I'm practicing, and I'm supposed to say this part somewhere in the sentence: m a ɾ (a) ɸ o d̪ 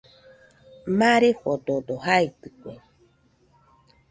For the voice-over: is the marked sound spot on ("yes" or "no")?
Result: no